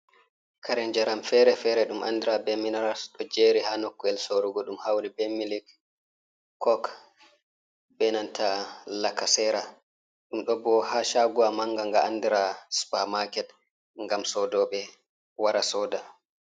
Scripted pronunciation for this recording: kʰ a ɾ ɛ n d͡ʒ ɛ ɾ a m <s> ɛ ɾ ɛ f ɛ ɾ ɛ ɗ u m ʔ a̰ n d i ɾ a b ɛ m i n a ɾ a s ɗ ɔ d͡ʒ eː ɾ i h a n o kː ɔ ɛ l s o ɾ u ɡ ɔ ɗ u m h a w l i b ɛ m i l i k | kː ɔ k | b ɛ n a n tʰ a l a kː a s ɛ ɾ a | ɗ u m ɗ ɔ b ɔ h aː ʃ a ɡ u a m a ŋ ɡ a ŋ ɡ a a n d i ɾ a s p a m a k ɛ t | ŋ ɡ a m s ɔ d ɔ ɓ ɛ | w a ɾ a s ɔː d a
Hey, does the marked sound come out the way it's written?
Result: no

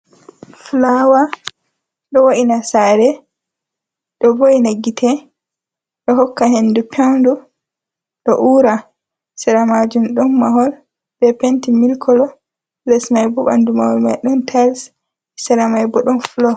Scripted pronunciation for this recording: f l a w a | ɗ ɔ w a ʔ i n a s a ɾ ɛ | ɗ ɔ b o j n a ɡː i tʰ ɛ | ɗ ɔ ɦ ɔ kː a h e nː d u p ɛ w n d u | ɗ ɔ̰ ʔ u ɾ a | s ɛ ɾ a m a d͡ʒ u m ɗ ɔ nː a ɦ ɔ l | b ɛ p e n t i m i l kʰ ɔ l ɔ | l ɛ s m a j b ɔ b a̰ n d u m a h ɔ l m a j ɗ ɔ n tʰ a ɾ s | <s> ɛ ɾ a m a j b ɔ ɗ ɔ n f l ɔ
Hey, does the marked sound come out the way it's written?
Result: yes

